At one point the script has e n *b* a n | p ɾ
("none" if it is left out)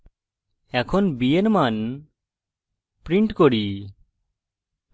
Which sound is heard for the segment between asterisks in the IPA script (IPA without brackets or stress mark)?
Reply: m